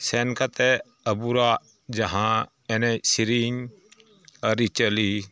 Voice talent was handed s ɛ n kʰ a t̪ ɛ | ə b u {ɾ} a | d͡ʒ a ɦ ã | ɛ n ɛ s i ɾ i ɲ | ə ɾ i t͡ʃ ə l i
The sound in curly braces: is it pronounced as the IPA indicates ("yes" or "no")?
yes